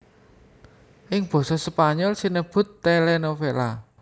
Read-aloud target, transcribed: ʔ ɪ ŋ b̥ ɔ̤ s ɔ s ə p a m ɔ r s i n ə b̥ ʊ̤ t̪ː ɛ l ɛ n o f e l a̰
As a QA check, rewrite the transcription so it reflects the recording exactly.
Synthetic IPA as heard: ʔ ɪ ŋ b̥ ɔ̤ s ɔ s ə p a ɲ ɔ l s i n ə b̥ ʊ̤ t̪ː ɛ l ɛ n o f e l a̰

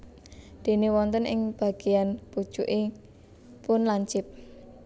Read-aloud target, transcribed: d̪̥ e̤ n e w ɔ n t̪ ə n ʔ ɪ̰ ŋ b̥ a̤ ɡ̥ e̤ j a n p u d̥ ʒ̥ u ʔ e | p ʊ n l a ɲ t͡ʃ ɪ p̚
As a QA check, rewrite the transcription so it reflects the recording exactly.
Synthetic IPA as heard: d̪̥ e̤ n e w ɔ n t̪ ə n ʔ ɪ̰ ŋ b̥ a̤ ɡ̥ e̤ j a n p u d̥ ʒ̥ u ʔ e | p ʊ n l a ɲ t͡ʃ ɪ p̚

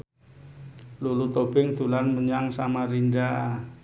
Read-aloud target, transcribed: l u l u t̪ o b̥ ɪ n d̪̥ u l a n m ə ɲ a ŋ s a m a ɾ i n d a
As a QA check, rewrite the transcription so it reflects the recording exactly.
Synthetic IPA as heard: l u l u t̪ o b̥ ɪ ŋ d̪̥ u l a n m ə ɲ a ŋ s a m a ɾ i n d a

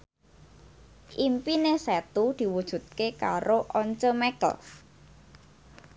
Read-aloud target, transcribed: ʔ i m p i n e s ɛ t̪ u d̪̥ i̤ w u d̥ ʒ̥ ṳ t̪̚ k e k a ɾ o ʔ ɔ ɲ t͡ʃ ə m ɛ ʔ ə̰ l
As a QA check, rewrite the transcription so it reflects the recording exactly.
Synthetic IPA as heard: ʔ i m p i n e s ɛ t̪ u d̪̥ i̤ w u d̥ ʒ̥ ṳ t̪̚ k e k a ɾ o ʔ ɔ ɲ t͡ʃ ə m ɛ k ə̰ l

